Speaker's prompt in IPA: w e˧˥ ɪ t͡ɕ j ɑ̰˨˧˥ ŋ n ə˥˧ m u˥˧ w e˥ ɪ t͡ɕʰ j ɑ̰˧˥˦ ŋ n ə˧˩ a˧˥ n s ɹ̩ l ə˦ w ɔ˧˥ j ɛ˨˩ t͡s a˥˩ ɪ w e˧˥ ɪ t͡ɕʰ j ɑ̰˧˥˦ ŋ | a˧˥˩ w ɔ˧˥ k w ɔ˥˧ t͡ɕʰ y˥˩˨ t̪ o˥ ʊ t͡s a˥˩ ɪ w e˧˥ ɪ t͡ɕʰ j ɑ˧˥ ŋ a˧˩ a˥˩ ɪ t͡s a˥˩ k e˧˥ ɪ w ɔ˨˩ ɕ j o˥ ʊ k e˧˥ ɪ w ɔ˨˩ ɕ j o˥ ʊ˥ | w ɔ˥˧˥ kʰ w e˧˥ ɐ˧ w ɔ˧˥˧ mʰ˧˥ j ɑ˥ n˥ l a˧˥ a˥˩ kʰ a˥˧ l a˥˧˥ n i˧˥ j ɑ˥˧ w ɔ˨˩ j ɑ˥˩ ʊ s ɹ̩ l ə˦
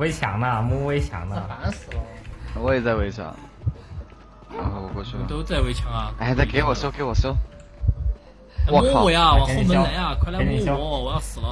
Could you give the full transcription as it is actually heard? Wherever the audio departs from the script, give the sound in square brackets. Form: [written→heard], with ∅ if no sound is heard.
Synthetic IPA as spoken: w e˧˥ ɪ [t͡ɕ→t͡ɕʰ] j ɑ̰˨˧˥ ŋ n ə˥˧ m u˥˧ w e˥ ɪ t͡ɕʰ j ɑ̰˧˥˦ ŋ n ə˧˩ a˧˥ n s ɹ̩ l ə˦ w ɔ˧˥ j ɛ˨˩ t͡s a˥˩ ɪ w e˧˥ ɪ t͡ɕʰ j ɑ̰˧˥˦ ŋ | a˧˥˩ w [ɔ˧˥→ɔ˨˩] k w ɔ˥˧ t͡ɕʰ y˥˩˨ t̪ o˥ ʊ t͡s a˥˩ ɪ w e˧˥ ɪ t͡ɕʰ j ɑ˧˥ ŋ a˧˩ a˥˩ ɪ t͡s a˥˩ k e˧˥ ɪ w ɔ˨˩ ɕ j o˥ ʊ k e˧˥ ɪ w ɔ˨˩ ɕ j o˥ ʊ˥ | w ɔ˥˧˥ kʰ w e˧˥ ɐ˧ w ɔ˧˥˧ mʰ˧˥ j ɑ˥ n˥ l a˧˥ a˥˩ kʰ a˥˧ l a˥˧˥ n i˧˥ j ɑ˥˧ w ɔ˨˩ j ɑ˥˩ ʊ s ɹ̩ l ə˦